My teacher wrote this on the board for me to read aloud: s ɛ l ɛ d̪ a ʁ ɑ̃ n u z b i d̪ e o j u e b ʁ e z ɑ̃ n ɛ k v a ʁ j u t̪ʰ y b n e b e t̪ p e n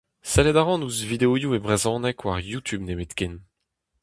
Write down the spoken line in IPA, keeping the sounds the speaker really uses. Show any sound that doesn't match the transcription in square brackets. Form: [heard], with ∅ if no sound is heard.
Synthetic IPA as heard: s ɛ l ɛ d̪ a ʁ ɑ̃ n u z [v] i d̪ e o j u e b ʁ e z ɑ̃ n ɛ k [w] a ʁ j u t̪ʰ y b n e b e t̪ [k] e n

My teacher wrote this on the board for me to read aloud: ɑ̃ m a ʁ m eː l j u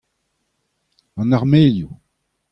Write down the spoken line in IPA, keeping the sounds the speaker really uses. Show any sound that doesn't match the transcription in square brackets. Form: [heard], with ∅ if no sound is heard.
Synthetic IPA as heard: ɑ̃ [n] a ʁ m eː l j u

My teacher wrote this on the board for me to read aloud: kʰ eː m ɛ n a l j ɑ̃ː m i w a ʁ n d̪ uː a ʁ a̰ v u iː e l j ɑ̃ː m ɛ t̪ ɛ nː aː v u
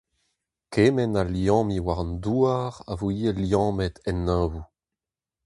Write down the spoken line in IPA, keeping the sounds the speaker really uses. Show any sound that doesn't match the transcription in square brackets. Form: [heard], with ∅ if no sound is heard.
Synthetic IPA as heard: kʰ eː m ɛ n a l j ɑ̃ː m i w a ʁ n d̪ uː a ʁ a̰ v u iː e l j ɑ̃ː m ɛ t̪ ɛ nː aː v u

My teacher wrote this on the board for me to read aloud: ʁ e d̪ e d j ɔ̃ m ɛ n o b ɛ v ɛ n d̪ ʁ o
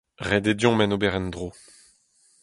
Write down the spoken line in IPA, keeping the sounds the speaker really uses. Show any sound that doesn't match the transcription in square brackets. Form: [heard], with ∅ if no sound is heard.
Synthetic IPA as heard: ʁ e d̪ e d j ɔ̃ m ɛ n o b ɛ [ʁ] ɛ n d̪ ʁ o

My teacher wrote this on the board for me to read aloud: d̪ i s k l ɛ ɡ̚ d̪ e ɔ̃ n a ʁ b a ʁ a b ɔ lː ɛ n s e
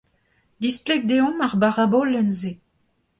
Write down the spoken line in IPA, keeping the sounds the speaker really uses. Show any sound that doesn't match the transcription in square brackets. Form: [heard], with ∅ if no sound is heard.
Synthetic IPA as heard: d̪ i s [p] l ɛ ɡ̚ d̪ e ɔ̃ [m] a ʁ b a ʁ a b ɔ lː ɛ n [z] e

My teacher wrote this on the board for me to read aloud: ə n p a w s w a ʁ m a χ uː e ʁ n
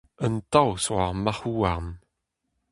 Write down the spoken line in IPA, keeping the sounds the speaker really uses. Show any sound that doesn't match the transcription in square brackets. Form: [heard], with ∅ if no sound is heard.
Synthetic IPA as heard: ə n [t] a w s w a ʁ m a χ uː [a] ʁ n

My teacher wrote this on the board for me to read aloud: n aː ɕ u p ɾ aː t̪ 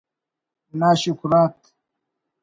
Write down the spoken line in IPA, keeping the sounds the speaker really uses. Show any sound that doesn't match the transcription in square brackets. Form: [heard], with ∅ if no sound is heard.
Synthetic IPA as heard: n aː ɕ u [k] ɾ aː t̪

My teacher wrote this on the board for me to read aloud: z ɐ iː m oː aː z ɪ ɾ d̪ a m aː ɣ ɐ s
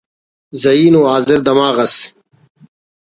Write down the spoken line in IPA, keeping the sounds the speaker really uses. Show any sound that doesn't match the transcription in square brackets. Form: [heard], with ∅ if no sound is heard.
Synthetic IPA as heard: z ɐ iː [n] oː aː z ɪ ɾ d̪ [ɐ] m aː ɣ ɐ s

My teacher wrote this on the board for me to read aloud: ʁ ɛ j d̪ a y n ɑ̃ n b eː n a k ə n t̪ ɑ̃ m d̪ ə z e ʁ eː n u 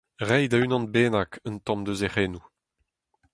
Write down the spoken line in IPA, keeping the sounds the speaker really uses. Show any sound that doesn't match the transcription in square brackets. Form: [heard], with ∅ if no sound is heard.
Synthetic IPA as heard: ʁ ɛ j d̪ a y n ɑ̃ n b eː n a k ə n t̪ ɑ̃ m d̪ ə z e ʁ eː n u

